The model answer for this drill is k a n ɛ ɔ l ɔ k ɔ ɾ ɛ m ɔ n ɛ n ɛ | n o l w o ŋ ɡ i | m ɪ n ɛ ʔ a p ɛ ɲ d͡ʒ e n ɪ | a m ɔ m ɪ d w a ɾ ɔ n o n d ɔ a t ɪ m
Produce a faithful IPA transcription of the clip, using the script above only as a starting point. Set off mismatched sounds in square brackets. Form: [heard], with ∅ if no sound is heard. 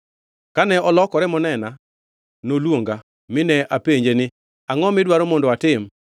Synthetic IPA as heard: k a n ɛ ɔ l ɔ k ɔ ɾ ɛ m ɔ n ɛ n [a] | n o l w o ŋ ɡ [a] | m ɪ n ɛ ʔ a p [e] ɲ d͡ʒ e n ɪ | a [ŋ] ɔ m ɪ d w a ɾ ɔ [m] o n d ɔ a t ɪ m